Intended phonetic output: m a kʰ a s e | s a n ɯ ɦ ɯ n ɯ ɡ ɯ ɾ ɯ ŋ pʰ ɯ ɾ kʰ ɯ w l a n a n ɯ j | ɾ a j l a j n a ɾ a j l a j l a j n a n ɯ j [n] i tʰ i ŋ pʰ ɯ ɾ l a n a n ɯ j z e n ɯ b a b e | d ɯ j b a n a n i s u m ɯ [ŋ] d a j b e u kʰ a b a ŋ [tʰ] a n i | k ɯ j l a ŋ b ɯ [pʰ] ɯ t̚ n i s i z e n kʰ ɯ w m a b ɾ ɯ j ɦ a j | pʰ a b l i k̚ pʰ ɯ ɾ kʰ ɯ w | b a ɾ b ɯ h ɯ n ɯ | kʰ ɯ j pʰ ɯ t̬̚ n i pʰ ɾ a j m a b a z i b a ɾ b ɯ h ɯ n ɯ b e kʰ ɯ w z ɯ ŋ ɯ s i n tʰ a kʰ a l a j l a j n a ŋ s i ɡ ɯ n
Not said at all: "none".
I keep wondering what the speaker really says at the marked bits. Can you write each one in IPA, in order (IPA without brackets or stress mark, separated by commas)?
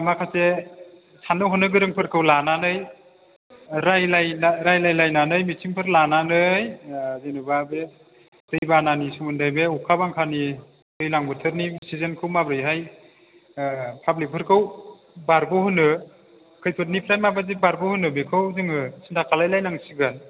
m, n, kʰ, tʰ